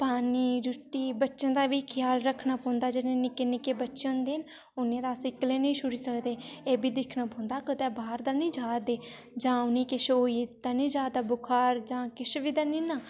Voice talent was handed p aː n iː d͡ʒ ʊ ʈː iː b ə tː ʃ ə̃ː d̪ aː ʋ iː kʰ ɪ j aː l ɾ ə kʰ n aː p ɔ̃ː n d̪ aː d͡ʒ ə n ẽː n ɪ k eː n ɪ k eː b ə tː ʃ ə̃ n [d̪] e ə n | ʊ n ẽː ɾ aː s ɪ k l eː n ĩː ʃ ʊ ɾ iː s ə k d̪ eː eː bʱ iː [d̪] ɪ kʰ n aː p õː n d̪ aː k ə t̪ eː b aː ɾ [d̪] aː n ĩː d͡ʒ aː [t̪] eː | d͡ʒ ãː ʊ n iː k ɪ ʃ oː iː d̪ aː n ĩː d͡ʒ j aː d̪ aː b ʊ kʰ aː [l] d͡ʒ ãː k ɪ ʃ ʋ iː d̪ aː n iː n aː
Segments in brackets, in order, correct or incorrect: correct, correct, correct, incorrect: d̪, incorrect: ɾ

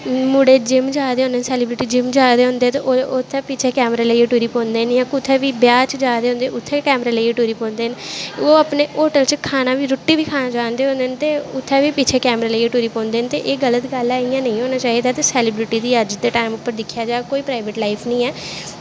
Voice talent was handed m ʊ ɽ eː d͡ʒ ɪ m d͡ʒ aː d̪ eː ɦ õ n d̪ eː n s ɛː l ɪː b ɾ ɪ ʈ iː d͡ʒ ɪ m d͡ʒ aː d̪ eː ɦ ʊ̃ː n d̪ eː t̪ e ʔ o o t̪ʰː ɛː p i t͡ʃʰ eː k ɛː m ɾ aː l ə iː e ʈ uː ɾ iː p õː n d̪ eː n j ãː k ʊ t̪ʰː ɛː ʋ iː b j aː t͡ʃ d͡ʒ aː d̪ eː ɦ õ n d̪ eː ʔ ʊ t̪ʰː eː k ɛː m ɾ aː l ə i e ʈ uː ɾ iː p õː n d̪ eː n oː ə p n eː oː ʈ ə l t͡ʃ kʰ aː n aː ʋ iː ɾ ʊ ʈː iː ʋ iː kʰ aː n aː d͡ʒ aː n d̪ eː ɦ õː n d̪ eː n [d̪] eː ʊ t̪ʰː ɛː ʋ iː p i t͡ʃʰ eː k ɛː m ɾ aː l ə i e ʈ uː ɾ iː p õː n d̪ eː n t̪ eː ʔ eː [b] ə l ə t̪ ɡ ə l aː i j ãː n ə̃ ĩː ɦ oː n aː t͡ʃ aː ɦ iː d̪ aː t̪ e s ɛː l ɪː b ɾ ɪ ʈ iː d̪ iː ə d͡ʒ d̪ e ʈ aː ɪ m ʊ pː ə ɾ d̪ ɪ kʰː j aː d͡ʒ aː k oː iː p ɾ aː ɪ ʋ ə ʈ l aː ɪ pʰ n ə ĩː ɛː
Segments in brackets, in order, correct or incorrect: incorrect: t̪, incorrect: ɡ

